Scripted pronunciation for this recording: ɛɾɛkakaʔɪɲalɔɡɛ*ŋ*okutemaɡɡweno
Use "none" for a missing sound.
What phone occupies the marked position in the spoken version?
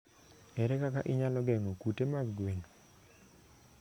ŋ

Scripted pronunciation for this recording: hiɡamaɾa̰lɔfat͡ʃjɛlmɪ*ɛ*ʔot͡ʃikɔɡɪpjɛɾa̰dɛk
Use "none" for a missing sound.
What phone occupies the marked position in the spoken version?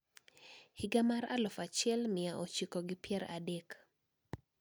a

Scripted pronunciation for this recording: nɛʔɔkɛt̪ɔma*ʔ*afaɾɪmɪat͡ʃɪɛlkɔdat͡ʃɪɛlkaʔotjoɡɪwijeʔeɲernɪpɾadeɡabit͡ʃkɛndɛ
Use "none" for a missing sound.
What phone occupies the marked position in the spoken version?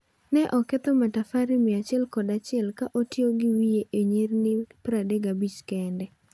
t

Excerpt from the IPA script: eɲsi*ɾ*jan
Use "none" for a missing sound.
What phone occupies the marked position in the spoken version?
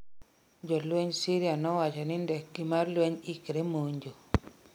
ɾ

